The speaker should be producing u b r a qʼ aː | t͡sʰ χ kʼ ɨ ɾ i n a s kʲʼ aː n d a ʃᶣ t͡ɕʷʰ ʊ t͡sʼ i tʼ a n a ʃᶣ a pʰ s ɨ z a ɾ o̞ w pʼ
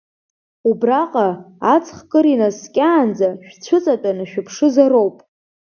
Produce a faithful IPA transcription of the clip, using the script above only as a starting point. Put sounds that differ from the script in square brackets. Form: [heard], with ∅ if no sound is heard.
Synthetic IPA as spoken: u b r a qʼ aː | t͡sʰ χ kʼ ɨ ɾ i n a s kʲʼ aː n [d͡z] a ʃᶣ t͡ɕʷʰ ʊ t͡sʼ [a] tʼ a n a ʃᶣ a pʰ [ʂ] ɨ z a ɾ o̞ w pʼ